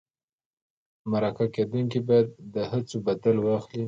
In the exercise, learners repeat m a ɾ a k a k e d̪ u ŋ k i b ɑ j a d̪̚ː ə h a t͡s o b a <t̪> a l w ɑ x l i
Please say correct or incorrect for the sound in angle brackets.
incorrect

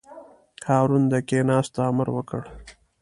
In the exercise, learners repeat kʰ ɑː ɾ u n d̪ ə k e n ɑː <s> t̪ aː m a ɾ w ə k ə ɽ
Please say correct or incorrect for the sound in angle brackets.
correct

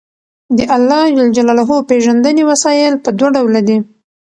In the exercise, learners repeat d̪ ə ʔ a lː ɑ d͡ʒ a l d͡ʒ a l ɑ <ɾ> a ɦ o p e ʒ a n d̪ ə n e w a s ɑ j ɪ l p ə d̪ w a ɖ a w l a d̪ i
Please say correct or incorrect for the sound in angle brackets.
incorrect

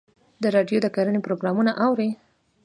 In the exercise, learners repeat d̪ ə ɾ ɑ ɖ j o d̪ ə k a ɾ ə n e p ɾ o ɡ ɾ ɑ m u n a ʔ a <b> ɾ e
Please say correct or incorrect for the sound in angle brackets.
incorrect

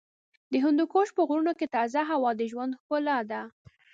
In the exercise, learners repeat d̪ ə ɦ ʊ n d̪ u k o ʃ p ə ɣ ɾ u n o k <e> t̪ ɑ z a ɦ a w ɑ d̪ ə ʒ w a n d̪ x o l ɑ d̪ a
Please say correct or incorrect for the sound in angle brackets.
correct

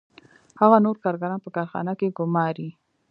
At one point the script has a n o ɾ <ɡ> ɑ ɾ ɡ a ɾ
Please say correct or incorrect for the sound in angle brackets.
incorrect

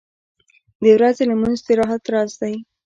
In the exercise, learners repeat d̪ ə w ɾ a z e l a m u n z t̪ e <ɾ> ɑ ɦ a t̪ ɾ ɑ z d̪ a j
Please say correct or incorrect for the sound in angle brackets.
correct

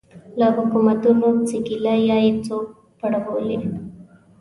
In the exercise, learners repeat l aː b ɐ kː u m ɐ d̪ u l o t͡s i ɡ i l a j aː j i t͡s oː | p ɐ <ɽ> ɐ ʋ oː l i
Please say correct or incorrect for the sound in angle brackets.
correct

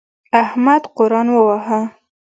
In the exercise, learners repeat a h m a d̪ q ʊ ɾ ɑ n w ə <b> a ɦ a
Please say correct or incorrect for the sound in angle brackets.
incorrect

